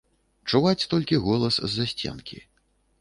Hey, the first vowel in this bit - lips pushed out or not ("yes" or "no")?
yes